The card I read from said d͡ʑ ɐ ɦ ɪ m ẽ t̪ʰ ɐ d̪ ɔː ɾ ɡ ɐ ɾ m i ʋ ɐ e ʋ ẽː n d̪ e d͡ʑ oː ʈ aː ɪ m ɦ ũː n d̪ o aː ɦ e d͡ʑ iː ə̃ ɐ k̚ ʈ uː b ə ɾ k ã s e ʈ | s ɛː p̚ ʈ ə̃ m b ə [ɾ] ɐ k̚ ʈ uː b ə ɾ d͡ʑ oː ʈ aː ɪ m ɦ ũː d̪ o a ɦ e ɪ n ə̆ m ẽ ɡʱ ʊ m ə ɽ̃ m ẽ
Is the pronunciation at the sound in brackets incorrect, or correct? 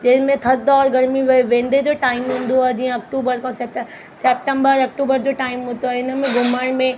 correct